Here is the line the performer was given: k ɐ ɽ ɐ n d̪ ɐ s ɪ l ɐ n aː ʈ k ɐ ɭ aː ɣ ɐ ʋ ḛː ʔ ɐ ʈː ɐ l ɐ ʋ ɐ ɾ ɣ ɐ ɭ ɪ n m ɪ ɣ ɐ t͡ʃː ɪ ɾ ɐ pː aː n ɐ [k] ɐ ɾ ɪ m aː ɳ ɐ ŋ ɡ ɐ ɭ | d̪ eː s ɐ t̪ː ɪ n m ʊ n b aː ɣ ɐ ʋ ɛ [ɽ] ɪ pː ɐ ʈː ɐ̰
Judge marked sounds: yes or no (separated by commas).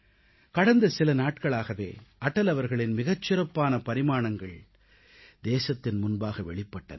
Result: no, no